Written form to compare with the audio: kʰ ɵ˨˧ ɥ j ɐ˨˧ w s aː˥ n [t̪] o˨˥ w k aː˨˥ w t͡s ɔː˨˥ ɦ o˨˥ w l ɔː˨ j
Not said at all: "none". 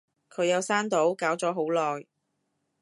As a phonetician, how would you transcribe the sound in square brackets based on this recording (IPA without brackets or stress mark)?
t̪